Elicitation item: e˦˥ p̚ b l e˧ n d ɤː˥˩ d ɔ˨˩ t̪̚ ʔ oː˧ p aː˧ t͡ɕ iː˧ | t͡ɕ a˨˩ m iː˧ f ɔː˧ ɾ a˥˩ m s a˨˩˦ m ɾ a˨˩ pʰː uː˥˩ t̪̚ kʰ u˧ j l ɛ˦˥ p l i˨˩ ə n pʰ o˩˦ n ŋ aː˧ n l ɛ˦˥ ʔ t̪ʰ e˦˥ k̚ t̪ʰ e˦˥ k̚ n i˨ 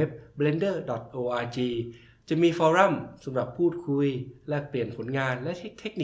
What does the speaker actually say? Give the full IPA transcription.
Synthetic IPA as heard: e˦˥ p̚ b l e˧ n d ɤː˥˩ d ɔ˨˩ t̪̚ ʔ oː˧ ʔ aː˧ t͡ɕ iː˧ | t͡ɕ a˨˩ m iː˧ f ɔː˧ ɾ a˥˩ m s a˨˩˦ m ɾ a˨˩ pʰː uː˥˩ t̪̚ kʰ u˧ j l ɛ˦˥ p l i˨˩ ə n pʰ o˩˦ n ŋ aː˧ n l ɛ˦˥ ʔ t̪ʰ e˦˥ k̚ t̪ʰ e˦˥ k̚ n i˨